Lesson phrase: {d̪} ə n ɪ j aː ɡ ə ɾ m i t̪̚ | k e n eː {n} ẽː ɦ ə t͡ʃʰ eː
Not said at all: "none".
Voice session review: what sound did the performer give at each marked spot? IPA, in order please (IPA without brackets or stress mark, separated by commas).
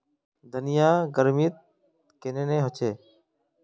d̪, n